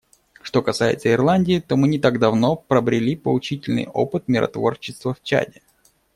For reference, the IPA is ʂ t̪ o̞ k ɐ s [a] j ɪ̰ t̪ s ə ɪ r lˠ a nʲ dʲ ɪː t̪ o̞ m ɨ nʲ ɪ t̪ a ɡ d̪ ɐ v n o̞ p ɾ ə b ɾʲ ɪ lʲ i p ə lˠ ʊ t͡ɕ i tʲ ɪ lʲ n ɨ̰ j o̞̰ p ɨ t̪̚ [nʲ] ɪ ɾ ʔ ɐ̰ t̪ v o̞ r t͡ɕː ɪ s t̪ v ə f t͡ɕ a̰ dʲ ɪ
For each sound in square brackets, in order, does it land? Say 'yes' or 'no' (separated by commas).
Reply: yes, no